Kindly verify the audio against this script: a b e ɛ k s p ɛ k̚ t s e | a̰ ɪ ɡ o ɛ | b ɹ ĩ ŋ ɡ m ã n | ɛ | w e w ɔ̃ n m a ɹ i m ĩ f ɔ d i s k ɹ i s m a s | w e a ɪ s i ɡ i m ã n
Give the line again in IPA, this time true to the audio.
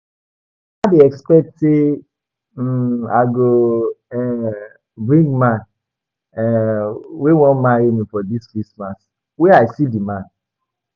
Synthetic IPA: a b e ɛ k s p ɛ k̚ t s e | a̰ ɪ ɡ o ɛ | b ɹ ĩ ŋ ɡ m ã n | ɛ | w e w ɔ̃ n m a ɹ i m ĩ f ɔ d i s k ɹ i s m a s | w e a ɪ s i d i m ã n